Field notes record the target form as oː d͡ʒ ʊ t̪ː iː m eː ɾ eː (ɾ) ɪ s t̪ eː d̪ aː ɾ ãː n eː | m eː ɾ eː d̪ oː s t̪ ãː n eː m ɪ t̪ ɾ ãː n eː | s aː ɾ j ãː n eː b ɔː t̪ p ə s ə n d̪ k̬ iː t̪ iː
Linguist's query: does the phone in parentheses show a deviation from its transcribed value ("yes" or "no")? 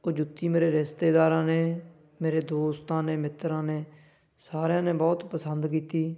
no